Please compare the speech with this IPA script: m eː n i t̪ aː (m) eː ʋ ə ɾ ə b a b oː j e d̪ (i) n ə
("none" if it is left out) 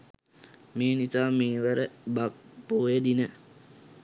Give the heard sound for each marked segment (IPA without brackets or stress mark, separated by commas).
m, i